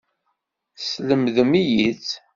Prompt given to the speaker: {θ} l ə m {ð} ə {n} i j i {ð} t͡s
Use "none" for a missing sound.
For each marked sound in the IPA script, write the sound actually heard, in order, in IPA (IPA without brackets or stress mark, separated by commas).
s, ð, m, none